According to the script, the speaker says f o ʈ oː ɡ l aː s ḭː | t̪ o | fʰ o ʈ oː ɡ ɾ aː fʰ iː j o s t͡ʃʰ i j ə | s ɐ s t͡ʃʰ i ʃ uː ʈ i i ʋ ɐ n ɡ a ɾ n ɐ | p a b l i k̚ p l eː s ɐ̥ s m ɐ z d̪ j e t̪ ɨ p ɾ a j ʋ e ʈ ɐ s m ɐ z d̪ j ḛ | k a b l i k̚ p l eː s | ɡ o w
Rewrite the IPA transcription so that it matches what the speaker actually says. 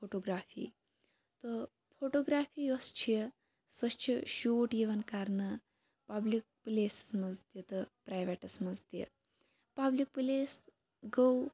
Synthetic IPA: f o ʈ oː ɡ ɾ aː f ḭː | t̪ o | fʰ o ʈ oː ɡ ɾ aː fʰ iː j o s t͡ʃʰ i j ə | s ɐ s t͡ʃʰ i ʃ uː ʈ j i ʋ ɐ n k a ɾ n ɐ | p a b l i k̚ p l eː s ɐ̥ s m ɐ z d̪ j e t̪ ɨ p ɾ a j ʋ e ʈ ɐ s m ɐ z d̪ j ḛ | p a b l i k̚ p l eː s | ɡ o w